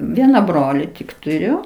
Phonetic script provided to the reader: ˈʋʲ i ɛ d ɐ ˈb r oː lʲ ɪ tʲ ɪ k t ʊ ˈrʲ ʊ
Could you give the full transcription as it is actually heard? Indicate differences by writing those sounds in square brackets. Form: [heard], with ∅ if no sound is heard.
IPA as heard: ˈʋʲ i ɛ [n] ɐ ˈb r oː lʲ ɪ tʲ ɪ k t ʊ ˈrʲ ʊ